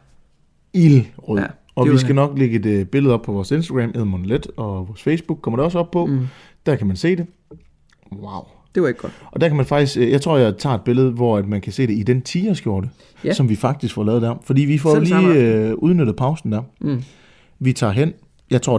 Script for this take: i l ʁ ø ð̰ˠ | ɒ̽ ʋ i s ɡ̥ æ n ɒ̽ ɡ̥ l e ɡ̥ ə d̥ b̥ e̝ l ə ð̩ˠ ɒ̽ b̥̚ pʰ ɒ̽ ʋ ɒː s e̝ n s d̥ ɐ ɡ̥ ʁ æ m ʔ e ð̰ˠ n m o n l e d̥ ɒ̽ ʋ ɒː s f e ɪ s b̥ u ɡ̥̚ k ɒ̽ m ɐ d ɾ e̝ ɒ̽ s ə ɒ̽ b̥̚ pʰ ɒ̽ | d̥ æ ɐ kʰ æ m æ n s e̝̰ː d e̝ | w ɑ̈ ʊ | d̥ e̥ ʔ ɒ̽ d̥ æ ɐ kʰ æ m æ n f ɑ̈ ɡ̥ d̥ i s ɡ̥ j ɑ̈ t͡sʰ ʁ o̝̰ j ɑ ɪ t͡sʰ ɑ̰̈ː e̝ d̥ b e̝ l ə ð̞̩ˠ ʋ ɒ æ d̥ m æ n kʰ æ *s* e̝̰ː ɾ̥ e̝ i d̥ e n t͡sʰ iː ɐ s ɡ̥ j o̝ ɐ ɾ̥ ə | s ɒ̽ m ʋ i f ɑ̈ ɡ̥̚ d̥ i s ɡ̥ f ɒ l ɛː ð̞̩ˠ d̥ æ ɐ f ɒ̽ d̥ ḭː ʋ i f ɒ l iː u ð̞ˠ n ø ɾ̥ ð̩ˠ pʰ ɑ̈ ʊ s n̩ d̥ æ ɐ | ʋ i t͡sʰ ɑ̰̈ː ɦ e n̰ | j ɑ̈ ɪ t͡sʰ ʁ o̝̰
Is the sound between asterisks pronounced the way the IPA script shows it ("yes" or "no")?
yes